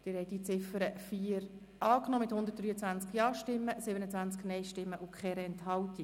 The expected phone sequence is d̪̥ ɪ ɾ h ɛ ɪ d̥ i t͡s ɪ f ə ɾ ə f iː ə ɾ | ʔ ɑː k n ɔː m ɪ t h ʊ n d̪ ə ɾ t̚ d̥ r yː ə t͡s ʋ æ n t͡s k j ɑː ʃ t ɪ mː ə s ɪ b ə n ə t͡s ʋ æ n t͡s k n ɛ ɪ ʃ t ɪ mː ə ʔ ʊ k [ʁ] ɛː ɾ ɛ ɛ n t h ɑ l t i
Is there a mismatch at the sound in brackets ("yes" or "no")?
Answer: yes